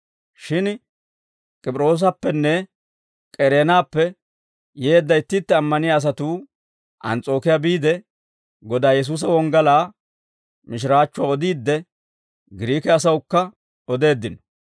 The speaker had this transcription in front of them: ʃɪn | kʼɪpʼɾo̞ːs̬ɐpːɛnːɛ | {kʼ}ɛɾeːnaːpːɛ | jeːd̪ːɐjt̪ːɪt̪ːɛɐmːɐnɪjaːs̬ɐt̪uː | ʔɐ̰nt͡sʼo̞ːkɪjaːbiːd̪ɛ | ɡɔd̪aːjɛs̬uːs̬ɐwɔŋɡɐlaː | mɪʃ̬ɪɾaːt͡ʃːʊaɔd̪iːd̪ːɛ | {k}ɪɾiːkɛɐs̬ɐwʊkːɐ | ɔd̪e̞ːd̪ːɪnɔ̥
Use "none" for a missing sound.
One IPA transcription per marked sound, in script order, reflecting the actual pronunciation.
kʼ, ɡ

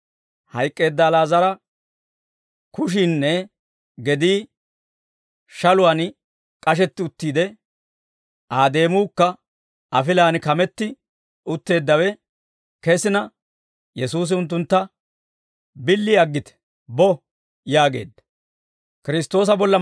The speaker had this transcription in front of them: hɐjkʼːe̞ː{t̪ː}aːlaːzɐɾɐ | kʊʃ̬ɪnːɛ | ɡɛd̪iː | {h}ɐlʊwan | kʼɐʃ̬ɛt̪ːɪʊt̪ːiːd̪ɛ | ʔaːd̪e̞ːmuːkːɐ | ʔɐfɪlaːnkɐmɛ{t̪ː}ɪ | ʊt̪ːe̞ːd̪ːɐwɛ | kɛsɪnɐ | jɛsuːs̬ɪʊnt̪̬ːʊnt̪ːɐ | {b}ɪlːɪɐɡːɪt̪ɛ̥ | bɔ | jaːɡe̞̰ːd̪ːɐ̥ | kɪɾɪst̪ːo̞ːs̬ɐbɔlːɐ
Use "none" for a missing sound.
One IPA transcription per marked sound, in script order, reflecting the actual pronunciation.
d̪ː, ʃ, t̪ː, b

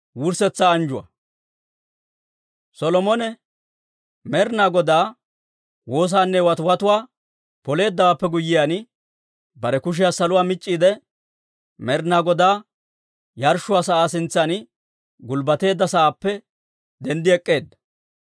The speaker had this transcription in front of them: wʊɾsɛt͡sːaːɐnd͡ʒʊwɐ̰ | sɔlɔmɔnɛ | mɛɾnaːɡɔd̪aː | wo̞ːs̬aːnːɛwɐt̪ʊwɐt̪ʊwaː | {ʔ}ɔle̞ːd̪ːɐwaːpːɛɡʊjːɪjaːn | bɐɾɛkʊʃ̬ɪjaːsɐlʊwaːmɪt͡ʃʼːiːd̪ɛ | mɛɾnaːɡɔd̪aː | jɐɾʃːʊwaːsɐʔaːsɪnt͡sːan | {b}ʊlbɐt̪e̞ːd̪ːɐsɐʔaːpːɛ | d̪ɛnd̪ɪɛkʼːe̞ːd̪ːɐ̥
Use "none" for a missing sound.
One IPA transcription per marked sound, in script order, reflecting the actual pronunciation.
p, ɡ

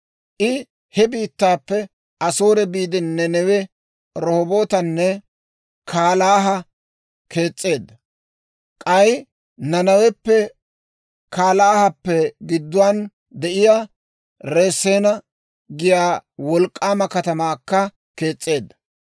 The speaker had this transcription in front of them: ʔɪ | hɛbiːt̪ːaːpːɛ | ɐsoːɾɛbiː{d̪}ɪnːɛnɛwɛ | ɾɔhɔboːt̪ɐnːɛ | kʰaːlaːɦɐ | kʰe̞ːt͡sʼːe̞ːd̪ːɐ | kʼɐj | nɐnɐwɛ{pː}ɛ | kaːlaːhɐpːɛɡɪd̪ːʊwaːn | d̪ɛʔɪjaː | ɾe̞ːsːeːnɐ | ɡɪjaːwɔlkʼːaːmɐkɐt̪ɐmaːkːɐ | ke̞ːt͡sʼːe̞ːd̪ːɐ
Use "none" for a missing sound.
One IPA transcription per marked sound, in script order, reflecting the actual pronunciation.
d̪, pː

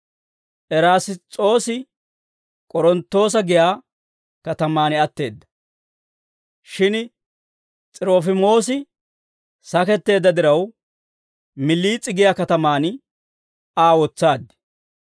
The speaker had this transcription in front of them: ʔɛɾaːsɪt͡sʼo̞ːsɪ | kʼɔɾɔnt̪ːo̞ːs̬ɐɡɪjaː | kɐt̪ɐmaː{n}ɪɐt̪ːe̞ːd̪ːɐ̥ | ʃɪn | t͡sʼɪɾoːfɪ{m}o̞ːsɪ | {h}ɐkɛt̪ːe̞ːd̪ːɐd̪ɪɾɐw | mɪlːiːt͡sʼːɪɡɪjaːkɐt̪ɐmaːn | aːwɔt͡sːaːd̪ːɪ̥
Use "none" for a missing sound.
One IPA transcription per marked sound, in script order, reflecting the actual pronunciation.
n, m, s

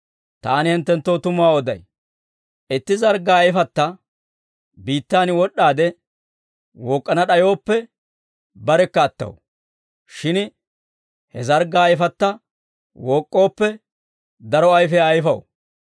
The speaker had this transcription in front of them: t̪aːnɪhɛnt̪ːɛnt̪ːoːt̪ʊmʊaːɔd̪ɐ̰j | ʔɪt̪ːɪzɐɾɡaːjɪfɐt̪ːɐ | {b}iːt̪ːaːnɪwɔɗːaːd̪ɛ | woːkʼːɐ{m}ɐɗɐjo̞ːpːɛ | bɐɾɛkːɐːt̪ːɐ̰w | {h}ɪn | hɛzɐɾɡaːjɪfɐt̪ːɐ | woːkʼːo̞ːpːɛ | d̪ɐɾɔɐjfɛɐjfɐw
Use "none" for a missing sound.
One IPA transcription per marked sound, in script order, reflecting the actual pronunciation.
b, n, ʃ

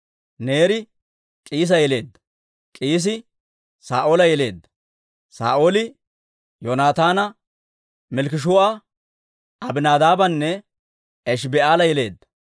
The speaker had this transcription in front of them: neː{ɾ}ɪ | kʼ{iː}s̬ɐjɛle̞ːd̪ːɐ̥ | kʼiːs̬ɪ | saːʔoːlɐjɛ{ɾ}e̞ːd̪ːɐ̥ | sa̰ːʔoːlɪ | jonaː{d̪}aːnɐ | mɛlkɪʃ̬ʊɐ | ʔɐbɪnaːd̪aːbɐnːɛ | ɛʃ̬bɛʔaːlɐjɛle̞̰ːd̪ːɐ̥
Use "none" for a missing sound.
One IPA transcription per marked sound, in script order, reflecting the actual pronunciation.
ɾ, iː, l, t̪

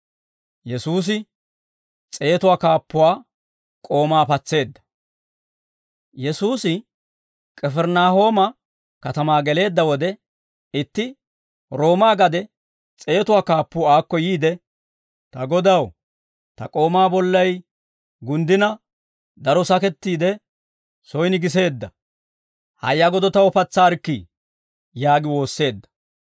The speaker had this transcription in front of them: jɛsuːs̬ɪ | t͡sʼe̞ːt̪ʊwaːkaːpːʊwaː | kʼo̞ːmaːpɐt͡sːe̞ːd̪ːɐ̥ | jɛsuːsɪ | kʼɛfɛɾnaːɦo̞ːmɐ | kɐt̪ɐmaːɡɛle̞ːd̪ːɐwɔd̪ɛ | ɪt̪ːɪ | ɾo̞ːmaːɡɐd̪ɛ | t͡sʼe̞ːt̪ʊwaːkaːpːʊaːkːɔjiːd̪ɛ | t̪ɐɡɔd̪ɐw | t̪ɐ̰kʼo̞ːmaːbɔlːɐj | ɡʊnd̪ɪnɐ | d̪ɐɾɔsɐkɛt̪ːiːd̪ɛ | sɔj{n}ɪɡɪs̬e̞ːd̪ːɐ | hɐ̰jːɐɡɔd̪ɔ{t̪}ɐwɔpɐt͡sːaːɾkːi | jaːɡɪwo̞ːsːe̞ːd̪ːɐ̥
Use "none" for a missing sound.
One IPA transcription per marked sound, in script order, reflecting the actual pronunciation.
n, t̪

